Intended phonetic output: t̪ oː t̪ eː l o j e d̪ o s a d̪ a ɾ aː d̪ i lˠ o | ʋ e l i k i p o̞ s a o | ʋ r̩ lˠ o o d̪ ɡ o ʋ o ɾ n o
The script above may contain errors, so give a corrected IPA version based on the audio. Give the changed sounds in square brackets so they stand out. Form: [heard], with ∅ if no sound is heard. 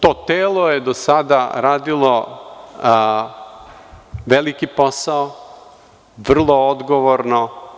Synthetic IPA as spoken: t̪ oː t̪ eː l o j e d̪ o s a d̪ a ɾ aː d̪ i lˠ o | ʋ e l i k i p o̞ s a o | ʋ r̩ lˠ o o d̪ ɡ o ʋ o ɾ n o